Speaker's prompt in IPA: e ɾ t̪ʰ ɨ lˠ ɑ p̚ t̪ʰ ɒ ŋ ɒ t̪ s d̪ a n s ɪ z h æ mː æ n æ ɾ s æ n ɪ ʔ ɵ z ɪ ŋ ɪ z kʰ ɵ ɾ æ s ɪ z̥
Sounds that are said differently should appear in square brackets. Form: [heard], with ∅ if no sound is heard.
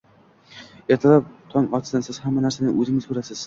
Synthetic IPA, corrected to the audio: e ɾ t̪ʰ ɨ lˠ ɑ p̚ t̪ʰ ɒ ŋ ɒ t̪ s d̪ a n s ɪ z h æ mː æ n æ ɾ s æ n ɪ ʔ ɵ z ɪ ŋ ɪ z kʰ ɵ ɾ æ s ɪ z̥